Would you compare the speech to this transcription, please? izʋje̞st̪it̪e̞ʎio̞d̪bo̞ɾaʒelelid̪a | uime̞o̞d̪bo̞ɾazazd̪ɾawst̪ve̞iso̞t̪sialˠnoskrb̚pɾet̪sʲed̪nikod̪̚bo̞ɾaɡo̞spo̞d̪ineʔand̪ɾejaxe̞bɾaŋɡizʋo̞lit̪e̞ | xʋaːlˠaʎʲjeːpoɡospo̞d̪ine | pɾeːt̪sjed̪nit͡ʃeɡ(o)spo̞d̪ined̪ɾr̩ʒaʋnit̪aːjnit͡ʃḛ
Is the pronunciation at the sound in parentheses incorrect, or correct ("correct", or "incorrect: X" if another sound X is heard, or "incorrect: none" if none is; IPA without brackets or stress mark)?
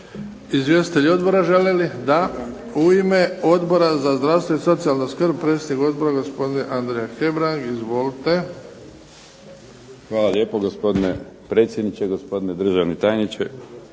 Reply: correct